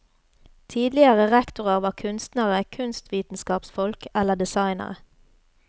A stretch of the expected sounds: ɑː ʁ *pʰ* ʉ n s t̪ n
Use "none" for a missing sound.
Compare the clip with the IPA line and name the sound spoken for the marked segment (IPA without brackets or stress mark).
kʰ